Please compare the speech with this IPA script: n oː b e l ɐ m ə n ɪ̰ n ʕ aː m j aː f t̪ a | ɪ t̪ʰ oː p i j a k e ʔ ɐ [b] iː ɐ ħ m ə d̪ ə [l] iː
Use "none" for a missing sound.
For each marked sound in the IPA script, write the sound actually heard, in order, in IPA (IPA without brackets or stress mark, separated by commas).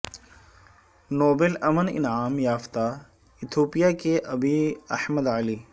b, l